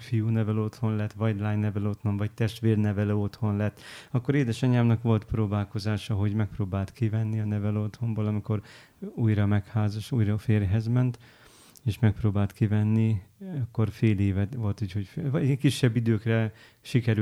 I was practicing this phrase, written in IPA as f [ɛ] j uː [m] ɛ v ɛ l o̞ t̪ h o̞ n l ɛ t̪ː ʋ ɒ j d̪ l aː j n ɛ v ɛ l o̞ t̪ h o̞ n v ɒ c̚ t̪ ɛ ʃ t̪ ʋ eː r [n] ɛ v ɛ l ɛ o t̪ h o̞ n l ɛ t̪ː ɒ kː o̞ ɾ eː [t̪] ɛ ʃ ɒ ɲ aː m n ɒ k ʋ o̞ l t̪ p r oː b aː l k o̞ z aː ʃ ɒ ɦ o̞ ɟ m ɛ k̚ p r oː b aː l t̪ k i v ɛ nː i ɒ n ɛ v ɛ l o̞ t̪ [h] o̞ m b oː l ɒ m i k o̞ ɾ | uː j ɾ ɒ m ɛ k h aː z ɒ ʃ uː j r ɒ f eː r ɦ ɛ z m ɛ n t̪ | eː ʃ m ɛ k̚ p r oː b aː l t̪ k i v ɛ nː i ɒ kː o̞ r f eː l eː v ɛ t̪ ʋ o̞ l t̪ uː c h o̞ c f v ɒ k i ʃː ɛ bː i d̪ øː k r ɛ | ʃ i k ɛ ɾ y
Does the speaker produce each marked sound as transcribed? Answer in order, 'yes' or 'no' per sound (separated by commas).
no, no, yes, no, yes